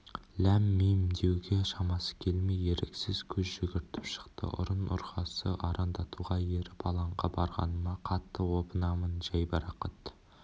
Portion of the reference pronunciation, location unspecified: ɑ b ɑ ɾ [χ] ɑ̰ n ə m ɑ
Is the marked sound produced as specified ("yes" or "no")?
no